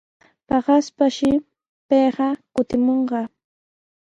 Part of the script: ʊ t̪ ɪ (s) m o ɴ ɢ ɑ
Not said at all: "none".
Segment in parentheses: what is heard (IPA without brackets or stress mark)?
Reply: none